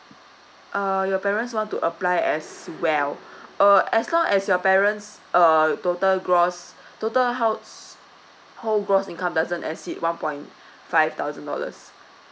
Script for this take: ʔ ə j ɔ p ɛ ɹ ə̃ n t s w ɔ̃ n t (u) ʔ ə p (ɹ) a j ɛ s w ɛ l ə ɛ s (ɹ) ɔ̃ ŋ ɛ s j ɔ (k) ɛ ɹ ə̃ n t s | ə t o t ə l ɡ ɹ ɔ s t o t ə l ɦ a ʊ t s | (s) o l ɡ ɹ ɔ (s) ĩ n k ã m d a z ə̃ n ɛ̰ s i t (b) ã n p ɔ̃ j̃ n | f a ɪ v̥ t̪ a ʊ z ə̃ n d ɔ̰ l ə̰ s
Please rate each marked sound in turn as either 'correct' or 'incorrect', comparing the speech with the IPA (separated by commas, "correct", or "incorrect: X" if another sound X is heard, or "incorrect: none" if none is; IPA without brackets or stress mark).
correct, incorrect: l, incorrect: l, incorrect: p, incorrect: h, correct, incorrect: w